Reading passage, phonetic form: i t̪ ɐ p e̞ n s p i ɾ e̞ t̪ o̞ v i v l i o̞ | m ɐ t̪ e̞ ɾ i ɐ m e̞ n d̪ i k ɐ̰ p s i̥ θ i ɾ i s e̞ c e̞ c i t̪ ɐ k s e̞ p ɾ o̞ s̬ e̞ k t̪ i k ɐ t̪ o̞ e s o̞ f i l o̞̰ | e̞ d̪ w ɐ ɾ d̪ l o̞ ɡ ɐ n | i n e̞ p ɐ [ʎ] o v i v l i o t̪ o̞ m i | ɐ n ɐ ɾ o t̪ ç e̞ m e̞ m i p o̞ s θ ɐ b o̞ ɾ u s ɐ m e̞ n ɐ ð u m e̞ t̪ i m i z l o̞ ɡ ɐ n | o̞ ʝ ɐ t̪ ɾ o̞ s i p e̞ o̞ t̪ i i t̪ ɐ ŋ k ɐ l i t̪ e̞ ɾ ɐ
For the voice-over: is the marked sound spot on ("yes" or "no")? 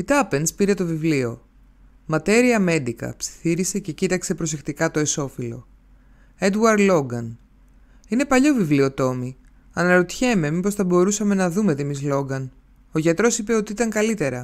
yes